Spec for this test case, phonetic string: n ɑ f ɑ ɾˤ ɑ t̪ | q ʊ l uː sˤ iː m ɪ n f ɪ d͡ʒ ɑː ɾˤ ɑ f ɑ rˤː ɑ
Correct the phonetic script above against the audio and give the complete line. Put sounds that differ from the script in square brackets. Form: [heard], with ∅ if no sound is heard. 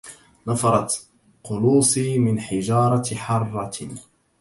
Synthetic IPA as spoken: n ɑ f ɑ ɾˤ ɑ t̪ | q ʊ l uː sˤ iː m ɪ n [ħ] ɪ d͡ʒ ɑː ɾˤ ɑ [ħ] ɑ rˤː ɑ